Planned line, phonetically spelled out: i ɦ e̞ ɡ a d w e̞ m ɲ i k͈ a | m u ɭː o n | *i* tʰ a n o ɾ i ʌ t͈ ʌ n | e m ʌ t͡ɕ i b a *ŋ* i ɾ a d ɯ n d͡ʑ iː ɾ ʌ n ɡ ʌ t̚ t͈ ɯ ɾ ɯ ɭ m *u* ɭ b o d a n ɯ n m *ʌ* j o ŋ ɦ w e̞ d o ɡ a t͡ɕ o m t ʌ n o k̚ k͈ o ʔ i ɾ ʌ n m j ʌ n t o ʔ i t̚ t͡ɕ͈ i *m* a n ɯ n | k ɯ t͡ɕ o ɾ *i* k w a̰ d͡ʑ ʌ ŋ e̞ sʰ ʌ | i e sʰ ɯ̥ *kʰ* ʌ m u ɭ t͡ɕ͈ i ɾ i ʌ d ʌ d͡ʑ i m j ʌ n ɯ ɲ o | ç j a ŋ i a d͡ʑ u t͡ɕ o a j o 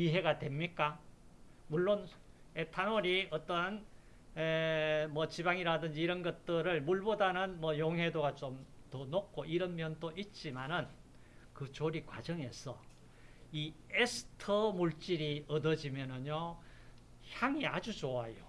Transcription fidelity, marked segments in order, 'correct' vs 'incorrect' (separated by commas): incorrect, correct, correct, correct, correct, correct, incorrect